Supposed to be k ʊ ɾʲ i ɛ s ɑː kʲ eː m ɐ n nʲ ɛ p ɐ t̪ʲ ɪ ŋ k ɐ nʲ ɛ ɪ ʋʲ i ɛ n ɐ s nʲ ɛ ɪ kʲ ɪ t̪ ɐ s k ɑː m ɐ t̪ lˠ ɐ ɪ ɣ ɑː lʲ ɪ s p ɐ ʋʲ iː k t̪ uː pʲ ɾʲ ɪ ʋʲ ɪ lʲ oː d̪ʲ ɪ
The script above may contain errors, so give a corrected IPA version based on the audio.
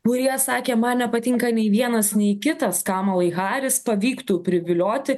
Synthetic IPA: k ʊ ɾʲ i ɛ s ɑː kʲ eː m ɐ n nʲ ɛ p ɐ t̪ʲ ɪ ŋ k ɐ nʲ ɛ ɪ ʋʲ i ɛ n ɐ s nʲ ɛ ɪ kʲ ɪ t̪ ɐ s k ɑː m ɐ lˠ ɐ ɪ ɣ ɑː ɾʲ ɪ s p ɐ ʋʲ iː k t̪ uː pʲ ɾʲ ɪ ʋʲ ɪ lʲ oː t̪ʲ ɪ

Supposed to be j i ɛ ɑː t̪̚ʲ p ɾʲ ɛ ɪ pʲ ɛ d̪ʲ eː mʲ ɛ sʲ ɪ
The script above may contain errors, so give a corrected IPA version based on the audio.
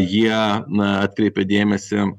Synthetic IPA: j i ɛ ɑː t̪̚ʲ k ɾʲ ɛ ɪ pʲ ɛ d̪ʲ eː mʲ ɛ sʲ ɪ

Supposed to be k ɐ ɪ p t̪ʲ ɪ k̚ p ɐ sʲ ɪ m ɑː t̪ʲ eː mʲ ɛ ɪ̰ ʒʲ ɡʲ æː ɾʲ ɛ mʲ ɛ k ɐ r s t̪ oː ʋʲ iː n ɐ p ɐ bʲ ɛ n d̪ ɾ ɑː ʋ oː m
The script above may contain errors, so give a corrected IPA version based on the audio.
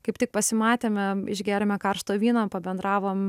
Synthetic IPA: k ɐ ɪ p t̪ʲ ɪ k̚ p ɐ sʲ ɪ m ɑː t̪ʲ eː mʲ ɛ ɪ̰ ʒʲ ɡʲ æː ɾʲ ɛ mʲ ɛ k ɐ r ʃ t̪ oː ʋʲ iː n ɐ p ɐ bʲ ɛ n d̪ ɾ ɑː ʋ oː m

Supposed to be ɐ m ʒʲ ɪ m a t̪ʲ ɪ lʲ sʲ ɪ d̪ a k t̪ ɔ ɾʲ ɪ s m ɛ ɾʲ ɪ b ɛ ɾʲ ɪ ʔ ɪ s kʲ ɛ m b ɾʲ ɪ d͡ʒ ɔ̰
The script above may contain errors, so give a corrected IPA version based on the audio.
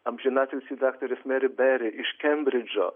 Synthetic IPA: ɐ m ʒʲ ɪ n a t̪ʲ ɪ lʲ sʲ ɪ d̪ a k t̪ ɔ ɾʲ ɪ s m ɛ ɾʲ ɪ b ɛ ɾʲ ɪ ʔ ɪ ʃ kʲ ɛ m b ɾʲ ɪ d͡ʒ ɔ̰

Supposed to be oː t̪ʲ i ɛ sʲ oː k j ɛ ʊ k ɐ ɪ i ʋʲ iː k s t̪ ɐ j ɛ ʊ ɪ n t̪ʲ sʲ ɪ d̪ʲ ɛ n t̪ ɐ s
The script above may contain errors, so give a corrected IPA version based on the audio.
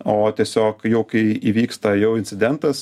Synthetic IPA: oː t̪ʲ i ɛ sʲ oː k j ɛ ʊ k ɐ ɪ i ʋʲ iː k s t̪ ɐ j ɛ ʊ ɪ n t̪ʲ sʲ ɪ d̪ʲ ɛ n t̪ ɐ s

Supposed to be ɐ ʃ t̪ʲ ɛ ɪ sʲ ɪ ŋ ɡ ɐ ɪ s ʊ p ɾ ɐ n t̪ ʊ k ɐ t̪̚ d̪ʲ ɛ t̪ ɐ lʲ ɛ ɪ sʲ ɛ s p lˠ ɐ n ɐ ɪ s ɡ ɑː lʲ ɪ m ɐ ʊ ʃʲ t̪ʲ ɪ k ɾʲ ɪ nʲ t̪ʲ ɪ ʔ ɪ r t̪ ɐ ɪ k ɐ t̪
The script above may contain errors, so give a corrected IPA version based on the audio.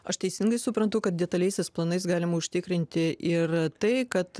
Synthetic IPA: ɐ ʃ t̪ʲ ɛ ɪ sʲ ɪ ŋ ɡ ɐ ɪ s ʊ p ɾ ɐ n t̪ ʊ k ɐ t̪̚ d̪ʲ ɛ t̪ ɐ lʲ ɛ ɪ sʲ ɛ s p lˠ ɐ n ɐ ɪ s ɡ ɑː lʲ ɪ m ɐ ʊ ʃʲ t̪ʲ ɪ k ɾʲ ɪ nʲ t̪ʲ ɪ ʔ ɪ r t̪ ɐ ɪ k ɐ t̪

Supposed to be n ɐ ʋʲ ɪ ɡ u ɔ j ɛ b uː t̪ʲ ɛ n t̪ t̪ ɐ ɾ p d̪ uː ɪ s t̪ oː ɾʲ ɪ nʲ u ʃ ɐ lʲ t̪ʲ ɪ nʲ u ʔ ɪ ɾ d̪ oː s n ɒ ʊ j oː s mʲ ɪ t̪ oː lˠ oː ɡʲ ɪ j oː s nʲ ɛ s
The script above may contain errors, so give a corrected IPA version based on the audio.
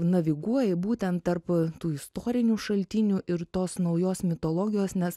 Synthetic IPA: n ɐ ʋʲ ɪ ɡ u ɔ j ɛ b uː t̪ʲ ɛ n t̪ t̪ ɐ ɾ p t̪ uː ɪ s t̪ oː ɾʲ ɪ nʲ u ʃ ɐ lʲ t̪ʲ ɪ nʲ u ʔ ɪ ɾ t̪ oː s n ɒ ʊ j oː s mʲ ɪ t̪ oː lˠ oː ɡʲ ɪ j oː s nʲ ɛ s

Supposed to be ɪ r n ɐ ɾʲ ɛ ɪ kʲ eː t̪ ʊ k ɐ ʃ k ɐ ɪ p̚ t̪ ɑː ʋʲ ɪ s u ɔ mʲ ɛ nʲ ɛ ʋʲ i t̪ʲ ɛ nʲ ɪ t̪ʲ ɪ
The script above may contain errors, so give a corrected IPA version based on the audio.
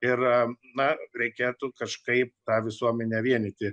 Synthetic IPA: ɪ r n ɐ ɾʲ ɛ ɪ kʲ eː t̪ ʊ k ɐ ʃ k ɐ ɪ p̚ t̪ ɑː ʋʲ ɪ s u ɔ mʲ ɛ nʲ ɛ ʋʲ i ɛ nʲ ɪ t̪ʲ ɪ

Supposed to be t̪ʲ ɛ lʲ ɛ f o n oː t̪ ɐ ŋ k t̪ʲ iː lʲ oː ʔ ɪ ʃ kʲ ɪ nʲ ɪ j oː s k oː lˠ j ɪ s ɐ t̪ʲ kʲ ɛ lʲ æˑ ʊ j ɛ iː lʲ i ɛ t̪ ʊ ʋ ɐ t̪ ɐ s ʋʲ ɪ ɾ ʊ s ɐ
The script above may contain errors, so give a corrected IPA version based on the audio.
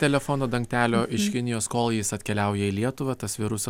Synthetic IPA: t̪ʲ ɛ lʲ ɛ f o n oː d̪ ɐ ŋ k t̪ʲ æː lʲ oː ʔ ɪ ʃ kʲ ɪ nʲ ɪ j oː s k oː lˠ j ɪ s ɐ t̪ʲ kʲ ɛ lʲ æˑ ʊ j ɛ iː lʲ i ɛ t̪ ʊ ʋ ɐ t̪ ɐ s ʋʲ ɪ ɾ ʊ s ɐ

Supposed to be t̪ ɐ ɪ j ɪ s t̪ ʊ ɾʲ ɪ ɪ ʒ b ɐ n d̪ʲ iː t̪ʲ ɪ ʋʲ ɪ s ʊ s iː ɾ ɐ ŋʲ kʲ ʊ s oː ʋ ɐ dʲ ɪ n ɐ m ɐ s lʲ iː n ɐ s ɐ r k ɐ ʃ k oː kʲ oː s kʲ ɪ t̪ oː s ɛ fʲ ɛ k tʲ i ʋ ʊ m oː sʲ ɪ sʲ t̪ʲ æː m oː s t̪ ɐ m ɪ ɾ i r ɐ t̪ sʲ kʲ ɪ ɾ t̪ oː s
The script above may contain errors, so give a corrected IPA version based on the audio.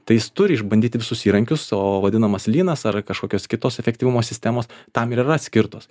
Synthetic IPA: t̪ ɐ ɪ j ɪ s t̪ ʊ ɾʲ ɪ ɪ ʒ b ɐ n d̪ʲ iː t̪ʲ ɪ ʋʲ ɪ s ʊ s iː ɾ ɐ ŋʲ kʲ ʊ s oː ʋ ɐ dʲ ɪ n ɐ m ɐ s lʲ iː n ɐ s ɐ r k ɐ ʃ k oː kʲ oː s kʲ ɪ t̪ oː s ɛ fʲ ɛ k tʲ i ʋ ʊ m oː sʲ ɪ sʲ t̪ʲ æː m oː s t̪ ɐ m ɪ ɾ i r ɐ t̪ sʲ kʲ ɪ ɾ t̪ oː s

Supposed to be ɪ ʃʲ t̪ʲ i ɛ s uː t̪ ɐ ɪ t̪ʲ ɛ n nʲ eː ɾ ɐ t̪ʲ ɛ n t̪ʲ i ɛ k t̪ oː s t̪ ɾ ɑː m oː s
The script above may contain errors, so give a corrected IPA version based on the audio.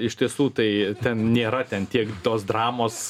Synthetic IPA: ɪ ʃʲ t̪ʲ i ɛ s uː t̪ ɐ ɪ t̪ʲ ɛ n nʲ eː ɾ ɐ t̪ʲ ɛ n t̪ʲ i ɛ k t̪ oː s d̪ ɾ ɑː m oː s

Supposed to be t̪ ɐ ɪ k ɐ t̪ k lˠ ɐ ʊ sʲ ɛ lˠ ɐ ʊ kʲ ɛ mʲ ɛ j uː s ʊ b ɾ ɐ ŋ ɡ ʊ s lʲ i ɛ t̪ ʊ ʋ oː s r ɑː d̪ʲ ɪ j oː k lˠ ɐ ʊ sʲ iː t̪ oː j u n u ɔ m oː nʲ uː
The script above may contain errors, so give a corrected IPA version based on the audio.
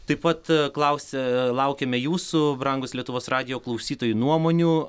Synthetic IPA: t̪ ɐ ɪ p ɐ t̪ k lˠ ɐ ʊ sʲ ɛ lˠ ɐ ʊ kʲ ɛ mʲ ɛ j uː s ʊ b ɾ ɐ ŋ ɡ ʊ s lʲ i ɛ t̪ ʊ ʋ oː s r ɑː d̪ʲ ɪ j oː k lˠ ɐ ʊ sʲ iː t̪ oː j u n u ɔ m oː nʲ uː

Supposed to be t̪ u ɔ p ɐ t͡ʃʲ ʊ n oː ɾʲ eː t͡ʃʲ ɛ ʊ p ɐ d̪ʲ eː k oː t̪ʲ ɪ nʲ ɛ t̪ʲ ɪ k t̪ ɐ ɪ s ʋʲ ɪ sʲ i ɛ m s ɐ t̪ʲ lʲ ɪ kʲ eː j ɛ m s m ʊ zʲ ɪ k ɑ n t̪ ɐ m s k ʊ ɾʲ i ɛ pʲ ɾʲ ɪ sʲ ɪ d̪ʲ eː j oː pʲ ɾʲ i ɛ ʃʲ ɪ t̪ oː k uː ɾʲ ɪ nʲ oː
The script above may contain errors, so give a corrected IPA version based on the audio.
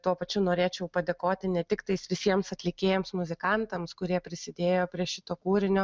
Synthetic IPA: t̪ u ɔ p ɐ t͡ʃʲ ʊ n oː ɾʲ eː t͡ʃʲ ɛ ʊ p ɐ d̪ʲ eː k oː t̪ʲ ɪ nʲ ɛ t̪ʲ ɪ k t̪ ɐ ɪ s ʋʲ ɪ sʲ i ɛ m s ɐ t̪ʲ lʲ ɪ kʲ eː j ɛ m s m ʊ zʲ ɪ k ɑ n t̪ ɐ m s k ʊ ɾʲ i ɛ pʲ ɾʲ ɪ sʲ ɪ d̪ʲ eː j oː pʲ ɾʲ i ɛ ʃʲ ɪ t̪ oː k uː ɾʲ ɪ nʲ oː

